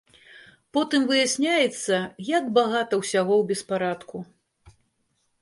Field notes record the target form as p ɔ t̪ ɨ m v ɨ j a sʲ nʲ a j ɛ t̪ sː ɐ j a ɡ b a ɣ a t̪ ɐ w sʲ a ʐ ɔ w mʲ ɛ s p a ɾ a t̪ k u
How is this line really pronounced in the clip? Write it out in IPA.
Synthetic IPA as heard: p ɔ t̪ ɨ m v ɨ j a sʲ nʲ a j ɛ t̪ sː ɐ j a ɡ b a ɣ a t̪ ɐ w sʲ a ɣ ɔ w bʲ ɛ s p a ɾ a t̪ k u